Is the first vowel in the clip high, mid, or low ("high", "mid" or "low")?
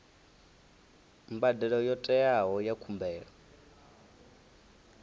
low